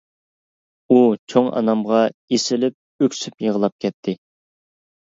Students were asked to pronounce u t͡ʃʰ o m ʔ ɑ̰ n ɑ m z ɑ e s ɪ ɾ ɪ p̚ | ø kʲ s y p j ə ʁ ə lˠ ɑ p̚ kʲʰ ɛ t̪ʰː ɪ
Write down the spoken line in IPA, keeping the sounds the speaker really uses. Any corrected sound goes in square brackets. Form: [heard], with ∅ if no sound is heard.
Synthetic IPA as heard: u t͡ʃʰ o [ŋ] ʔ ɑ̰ n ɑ m [ʁ] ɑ e s ɪ [l] ɪ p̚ | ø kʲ s y p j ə ʁ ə lˠ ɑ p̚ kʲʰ ɛ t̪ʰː ɪ